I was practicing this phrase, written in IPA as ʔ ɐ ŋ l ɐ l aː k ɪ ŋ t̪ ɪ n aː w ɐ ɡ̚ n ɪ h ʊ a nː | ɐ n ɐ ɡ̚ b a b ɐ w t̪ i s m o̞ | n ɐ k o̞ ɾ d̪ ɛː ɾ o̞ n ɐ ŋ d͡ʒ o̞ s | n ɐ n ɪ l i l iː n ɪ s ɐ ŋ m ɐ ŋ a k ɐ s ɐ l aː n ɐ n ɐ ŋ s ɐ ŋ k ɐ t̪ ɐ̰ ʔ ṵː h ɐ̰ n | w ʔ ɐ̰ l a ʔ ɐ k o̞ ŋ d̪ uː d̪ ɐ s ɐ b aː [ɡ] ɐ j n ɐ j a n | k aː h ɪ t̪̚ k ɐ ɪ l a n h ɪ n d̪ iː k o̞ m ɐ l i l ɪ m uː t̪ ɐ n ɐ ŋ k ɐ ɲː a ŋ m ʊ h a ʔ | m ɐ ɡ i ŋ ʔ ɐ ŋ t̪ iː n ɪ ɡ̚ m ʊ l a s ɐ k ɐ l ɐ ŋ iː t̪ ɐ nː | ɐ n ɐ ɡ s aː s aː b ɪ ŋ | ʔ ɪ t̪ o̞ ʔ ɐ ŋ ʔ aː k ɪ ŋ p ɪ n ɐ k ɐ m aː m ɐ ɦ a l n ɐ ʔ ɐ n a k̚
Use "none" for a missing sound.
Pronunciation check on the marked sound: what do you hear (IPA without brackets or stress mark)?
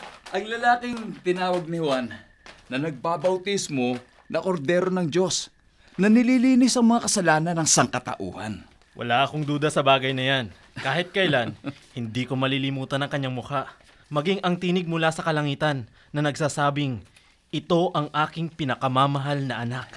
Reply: ɡ